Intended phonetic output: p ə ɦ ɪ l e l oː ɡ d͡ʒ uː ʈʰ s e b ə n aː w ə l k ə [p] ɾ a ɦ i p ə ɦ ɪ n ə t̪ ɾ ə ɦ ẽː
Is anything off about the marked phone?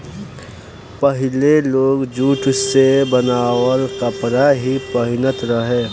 no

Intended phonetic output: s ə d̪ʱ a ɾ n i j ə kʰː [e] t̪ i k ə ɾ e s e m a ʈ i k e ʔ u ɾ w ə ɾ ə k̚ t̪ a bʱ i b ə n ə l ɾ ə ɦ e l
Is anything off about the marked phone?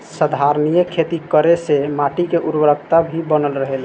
no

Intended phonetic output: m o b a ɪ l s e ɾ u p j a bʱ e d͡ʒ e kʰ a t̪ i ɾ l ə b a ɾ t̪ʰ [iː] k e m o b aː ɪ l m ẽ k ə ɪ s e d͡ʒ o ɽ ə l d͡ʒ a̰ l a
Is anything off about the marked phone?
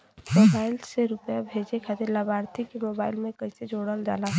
yes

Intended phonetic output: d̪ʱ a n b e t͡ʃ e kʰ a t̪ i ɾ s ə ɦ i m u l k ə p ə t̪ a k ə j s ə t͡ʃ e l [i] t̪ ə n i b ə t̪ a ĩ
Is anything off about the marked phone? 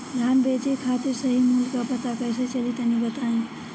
no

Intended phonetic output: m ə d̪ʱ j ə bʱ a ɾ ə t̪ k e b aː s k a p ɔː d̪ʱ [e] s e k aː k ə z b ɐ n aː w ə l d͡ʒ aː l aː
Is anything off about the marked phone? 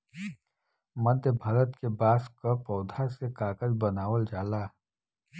yes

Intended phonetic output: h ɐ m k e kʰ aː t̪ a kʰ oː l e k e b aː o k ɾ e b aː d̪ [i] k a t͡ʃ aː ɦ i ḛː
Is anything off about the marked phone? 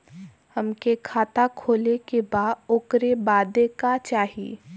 yes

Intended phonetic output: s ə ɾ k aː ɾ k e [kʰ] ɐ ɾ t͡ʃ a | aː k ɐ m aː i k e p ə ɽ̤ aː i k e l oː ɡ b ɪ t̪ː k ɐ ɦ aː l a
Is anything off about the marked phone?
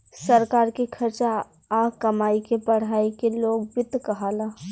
no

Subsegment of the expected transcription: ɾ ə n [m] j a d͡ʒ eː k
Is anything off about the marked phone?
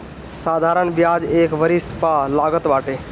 yes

